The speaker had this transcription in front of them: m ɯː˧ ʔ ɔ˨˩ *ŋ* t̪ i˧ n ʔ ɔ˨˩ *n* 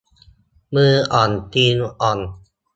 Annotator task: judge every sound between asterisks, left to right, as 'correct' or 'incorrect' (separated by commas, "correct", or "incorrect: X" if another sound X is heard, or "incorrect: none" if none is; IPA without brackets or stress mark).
incorrect: n, correct